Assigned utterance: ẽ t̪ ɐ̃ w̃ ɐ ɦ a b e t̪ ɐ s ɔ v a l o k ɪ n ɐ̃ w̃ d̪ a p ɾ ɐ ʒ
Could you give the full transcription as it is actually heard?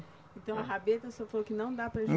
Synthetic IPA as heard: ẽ t̪ ɐ̃ w̃ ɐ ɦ a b e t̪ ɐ s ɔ f a l o k ɪ n ɐ̃ w̃ d̪ a p ɾ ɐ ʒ